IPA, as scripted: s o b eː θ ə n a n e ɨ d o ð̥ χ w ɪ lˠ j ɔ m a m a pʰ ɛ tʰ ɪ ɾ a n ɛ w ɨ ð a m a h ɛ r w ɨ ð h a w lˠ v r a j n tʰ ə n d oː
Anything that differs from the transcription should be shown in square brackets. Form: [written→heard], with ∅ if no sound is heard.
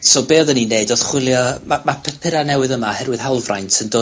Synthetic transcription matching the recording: s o b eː [θ→ð] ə n [a→i] n e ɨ d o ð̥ χ w ɪ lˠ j ɔ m a m a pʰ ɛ [tʰ→pʰ] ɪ ɾ a n ɛ w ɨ ð [a→ə] m a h ɛ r w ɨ ð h a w lˠ v r a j n tʰ ə n d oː

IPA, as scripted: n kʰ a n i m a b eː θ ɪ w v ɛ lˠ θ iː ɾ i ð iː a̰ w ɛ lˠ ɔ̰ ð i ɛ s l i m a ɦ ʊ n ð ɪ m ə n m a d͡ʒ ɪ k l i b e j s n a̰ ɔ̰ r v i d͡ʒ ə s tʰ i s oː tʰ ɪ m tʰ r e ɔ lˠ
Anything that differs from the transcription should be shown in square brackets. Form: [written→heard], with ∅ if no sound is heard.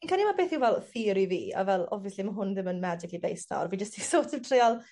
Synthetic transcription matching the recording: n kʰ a n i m a b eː θ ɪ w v ɛ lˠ θ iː ɾ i [ð→v] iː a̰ [w→v] ɛ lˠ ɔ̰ [ð→v] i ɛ s l i m a ɦ ʊ n ð ɪ m ə n m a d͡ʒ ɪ k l i b e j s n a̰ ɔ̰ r v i d͡ʒ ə s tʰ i s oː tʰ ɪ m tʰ r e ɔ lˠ

